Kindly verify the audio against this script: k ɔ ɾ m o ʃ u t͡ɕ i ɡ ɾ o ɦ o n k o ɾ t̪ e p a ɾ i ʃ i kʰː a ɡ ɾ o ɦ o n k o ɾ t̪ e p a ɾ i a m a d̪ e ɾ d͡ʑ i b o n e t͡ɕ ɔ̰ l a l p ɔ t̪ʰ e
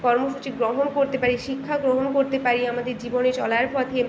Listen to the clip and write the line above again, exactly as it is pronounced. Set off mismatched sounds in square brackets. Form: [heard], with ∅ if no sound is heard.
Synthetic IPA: k ɔ ɾ m o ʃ u t͡ɕ i ɡ ɾ o ɦ o n k o ɾ t̪ e p a ɾ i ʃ i kʰː a ɡ ɾ o ɦ o n k o ɾ t̪ e p a ɾ i a m a d̪ e ɾ d͡ʑ i b o n e t͡ɕ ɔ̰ l a [ɾ] p ɔ t̪ʰ e